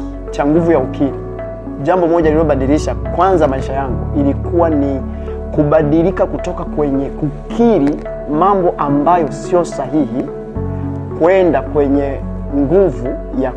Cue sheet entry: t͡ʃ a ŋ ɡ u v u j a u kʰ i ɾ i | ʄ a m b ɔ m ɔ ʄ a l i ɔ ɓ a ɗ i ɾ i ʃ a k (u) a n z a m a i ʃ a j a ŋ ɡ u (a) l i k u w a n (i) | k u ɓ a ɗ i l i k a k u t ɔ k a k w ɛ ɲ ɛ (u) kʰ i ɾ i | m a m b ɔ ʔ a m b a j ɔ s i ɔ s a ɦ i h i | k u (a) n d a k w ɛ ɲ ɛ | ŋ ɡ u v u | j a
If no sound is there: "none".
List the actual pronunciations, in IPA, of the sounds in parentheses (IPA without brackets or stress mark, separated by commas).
w, i, i, u, ɛ